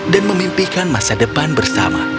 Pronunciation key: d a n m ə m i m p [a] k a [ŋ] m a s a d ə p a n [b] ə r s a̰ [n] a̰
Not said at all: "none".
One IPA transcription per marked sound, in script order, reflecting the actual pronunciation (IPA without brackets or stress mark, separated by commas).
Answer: i, n, b, m